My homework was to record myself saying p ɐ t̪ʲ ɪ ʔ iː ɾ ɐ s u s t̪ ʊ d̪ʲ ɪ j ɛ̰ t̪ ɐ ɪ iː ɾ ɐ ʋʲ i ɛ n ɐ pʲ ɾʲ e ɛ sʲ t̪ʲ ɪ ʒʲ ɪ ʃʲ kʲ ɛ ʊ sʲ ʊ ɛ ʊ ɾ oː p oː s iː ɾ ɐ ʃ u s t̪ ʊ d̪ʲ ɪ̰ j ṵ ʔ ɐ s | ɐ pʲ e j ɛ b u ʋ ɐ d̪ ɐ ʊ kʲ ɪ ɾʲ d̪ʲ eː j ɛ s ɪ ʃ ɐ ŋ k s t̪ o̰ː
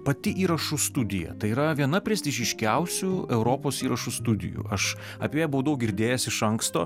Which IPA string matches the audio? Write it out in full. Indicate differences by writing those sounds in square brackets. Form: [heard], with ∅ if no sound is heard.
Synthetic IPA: p ɐ t̪ʲ ɪ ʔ iː ɾ ɐ [ʃ] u s t̪ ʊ d̪ʲ ɪ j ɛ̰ t̪ ɐ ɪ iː ɾ ɐ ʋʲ i ɛ n ɐ pʲ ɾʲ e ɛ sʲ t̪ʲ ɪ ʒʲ ɪ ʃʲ kʲ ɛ ʊ sʲ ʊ ɛ ʊ ɾ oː p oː s iː ɾ ɐ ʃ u s t̪ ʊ d̪ʲ ɪ̰ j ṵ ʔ ɐ [ʃ] | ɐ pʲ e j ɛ b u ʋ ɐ d̪ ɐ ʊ [ɡʲ] ɪ ɾʲ d̪ʲ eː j ɛ s ɪ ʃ ɐ ŋ k s t̪ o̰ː